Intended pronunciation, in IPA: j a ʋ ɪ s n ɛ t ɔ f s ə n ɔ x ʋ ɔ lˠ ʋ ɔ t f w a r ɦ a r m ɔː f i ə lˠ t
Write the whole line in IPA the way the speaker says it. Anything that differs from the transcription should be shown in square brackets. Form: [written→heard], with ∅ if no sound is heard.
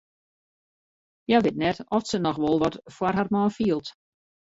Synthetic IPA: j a ʋ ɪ [s→t] n ɛ t ɔ f s ə n ɔ x ʋ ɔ lˠ ʋ ɔ t f w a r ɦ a r m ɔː f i ə lˠ t